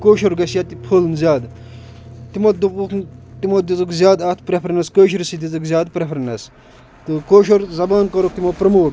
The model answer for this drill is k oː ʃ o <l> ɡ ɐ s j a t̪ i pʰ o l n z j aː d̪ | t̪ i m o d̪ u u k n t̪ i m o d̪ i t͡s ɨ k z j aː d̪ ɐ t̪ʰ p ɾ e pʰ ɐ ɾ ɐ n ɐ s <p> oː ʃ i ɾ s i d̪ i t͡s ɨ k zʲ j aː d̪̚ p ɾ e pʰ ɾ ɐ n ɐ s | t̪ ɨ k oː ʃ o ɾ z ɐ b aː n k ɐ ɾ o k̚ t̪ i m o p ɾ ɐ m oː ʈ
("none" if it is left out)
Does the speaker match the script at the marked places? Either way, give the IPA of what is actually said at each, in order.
ɾ, k

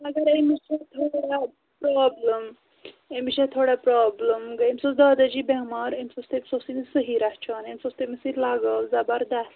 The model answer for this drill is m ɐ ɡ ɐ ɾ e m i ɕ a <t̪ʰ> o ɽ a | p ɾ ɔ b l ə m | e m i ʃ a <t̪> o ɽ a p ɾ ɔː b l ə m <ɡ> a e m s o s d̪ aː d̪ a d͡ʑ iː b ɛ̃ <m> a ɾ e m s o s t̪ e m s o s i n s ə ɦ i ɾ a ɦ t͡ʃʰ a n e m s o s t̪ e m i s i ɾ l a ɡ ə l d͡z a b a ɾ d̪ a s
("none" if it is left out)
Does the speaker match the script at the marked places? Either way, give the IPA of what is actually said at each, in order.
t̪ʰ, t̪ʰ, ɡ, m

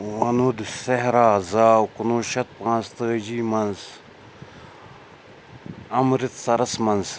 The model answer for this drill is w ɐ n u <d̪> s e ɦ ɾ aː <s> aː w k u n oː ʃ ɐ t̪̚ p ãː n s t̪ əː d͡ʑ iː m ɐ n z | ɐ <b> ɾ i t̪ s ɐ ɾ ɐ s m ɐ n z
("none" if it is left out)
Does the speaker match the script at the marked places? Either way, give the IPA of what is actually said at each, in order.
d̪, z, m

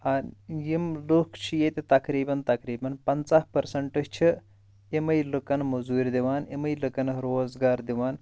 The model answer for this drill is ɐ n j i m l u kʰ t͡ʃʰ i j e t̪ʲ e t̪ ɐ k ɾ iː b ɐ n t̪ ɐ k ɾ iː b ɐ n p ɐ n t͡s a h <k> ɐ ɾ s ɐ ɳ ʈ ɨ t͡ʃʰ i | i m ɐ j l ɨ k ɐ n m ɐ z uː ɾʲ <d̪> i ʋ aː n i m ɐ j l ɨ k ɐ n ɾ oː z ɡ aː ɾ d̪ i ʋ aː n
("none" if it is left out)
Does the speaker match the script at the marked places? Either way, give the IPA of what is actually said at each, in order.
p, d̪

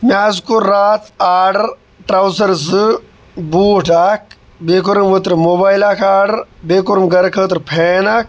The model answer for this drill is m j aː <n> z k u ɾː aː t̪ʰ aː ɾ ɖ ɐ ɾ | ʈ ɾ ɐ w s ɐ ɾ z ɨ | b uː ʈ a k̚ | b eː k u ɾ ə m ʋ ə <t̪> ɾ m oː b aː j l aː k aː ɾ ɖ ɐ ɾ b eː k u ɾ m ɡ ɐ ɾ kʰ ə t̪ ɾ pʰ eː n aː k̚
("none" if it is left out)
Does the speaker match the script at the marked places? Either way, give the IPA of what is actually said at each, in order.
none, t̪

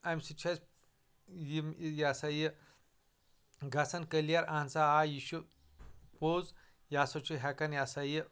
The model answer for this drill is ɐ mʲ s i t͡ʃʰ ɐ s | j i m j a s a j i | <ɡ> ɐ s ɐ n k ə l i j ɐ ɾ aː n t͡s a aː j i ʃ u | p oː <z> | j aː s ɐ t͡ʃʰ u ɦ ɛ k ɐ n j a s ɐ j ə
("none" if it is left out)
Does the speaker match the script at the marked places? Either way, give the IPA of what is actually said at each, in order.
ɡ, z

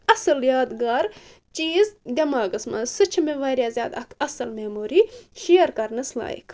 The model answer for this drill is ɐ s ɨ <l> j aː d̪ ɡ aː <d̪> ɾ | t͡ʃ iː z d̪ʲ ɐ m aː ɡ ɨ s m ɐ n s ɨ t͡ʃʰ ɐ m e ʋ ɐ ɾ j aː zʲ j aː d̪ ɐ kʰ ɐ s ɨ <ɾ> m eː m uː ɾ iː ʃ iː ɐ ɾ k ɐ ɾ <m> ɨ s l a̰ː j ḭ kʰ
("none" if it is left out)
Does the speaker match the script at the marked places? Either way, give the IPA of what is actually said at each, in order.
l, none, l, n

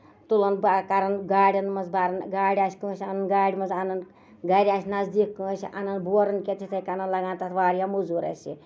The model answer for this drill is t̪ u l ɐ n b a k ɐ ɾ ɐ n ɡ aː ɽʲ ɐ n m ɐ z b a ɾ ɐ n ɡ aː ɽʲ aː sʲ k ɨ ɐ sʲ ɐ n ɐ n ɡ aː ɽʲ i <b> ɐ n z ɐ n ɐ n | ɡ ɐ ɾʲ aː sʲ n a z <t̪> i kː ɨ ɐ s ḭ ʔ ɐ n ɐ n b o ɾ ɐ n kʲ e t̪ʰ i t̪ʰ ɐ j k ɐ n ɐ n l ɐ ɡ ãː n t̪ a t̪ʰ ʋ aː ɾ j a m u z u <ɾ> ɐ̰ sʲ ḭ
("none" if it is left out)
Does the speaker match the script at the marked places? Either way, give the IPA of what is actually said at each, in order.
m, d̪, ɾ

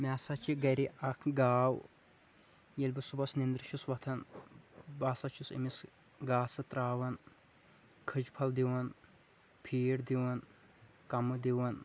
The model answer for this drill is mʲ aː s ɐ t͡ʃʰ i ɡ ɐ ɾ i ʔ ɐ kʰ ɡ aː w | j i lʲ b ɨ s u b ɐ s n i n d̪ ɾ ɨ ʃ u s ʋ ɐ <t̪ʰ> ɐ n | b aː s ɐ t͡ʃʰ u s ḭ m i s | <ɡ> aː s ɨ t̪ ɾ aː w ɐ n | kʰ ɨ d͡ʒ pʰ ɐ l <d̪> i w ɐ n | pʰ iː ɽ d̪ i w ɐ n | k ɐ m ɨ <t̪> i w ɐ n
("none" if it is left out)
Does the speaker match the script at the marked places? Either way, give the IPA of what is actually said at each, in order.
t̪ʰ, ɡ, d̪, d̪

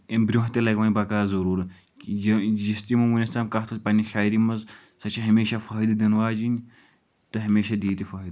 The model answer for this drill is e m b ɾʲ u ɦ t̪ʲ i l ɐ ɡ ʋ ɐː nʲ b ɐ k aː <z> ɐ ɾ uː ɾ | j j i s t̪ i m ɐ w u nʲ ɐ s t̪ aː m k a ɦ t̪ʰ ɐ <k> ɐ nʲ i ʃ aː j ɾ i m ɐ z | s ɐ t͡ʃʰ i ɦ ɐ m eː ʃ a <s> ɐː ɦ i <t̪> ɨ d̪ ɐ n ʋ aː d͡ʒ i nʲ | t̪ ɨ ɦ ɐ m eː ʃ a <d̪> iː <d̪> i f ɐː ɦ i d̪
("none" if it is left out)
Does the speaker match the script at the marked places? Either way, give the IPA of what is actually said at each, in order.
z, p, f, d̪, d̪, t̪

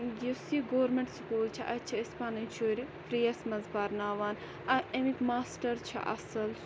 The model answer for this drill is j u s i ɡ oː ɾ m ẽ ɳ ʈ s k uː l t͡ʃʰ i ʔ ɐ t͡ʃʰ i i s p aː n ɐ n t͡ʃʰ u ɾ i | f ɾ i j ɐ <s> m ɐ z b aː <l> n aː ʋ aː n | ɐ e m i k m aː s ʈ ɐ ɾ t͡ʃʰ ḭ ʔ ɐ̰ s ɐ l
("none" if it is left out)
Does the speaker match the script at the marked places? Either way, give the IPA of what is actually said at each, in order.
s, ɾ

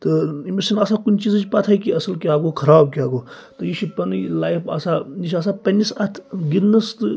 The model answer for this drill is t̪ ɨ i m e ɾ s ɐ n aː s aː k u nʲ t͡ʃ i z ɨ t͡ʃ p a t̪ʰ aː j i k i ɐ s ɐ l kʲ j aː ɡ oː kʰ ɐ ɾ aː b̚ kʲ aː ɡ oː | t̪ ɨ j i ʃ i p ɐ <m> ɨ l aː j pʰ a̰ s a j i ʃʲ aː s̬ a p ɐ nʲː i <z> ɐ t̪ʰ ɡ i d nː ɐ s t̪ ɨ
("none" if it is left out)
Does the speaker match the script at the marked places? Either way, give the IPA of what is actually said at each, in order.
n, s

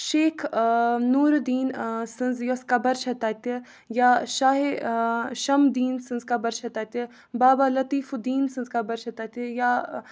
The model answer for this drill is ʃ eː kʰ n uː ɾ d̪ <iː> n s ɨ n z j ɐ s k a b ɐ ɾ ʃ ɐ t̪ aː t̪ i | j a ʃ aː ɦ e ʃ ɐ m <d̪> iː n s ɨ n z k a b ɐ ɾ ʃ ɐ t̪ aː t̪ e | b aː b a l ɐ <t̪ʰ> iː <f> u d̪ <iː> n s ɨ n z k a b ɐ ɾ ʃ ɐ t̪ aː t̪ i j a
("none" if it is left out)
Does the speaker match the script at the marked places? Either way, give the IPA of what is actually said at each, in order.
iː, d̪, t̪, f, iː

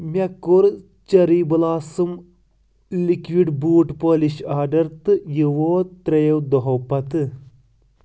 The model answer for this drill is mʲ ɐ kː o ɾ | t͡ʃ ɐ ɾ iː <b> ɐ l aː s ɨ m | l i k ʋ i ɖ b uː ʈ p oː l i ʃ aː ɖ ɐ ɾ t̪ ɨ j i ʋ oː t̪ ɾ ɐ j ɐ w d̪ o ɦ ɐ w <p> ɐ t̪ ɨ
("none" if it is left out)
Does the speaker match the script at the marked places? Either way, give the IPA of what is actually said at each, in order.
b, p

